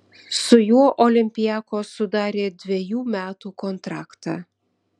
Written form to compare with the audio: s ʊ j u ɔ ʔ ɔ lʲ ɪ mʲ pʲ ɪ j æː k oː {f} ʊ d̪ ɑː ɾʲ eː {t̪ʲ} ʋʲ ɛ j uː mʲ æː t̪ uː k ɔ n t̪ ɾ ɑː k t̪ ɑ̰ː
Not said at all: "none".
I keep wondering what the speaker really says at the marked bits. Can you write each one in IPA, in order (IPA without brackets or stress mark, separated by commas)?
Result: s, d̪ʲ